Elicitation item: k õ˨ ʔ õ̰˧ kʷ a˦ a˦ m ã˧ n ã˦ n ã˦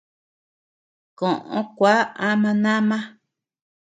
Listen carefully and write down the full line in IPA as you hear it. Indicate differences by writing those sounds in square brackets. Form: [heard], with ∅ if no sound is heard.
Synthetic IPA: k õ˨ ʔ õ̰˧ kʷ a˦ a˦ m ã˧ n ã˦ [m] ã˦